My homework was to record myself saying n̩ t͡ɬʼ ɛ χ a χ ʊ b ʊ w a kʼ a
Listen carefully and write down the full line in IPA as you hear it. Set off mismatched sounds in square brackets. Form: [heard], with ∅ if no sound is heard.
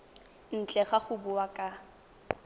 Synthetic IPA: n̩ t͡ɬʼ ɛ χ a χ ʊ b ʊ w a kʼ a

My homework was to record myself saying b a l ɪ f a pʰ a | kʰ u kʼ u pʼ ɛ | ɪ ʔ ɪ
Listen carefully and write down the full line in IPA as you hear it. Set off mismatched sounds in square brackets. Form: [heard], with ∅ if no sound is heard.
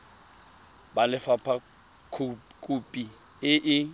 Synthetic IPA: b a l ɪ f a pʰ a | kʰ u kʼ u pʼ [i] | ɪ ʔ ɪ

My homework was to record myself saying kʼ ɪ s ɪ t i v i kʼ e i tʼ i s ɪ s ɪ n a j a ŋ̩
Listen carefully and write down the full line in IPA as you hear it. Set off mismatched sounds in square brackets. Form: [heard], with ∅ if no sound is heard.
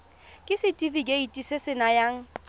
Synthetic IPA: kʼ ɪ s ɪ [tʼ] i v i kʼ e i tʼ i s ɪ s ɪ n a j a ŋ̩

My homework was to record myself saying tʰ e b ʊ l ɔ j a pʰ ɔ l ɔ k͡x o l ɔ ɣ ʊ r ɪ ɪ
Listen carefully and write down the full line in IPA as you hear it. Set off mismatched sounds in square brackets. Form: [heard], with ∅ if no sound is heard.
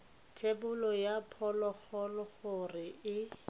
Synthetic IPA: tʰ e b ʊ l ɔ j a pʰ ɔ l ɔ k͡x [ɔ] l ɔ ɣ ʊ r ɪ ɪ

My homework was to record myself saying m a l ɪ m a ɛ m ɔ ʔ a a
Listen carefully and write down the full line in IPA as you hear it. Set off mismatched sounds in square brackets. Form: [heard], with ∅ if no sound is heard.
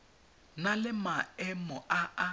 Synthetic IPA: [n] a l ɪ m a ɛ m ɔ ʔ a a

